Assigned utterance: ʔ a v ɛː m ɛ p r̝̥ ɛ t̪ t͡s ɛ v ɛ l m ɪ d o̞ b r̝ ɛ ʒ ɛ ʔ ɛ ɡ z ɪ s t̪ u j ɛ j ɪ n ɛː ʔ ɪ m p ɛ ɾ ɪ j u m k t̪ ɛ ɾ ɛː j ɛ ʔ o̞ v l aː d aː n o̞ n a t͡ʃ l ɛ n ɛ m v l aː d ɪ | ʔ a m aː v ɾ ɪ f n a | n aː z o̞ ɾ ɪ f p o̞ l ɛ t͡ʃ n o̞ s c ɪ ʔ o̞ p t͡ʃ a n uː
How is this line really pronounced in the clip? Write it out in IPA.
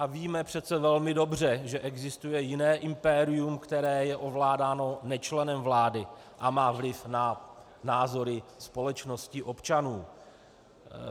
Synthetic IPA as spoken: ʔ a v iː m ɛ p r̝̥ ɛ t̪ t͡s ɛ v ɛ l m ɪ d o̞ b r̝ ɛ ʒ ɛ ʔ ɛ ɡ z ɪ s t̪ u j ɛ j ɪ n ɛː ʔ ɪ m p ɛ ɾ ɪ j u m k t̪ ɛ ɾ ɛː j ɛ ʔ o̞ v l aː d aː n o̞ n ɛ t͡ʃ l ɛ n ɛ m v l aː d ɪ | ʔ a m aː v l ɪ f n a | n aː z o̞ ɾ ɪ s p o̞ l ɛ t͡ʃ n o̞ s c ɪ ʔ o̞ p t͡ʃ a n uː